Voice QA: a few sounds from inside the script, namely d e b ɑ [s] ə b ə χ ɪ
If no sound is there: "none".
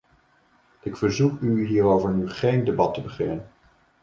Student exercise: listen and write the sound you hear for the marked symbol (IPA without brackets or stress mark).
t